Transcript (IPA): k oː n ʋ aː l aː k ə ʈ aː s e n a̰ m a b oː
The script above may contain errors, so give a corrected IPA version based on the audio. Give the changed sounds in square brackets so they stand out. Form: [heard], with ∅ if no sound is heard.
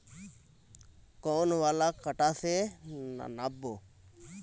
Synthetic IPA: k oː n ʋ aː l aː k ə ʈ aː s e n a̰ [n] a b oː